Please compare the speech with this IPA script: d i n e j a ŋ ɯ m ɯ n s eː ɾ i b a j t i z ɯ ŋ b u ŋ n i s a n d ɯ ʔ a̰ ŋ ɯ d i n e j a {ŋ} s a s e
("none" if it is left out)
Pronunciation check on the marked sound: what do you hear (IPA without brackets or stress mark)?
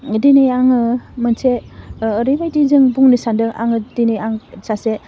ŋ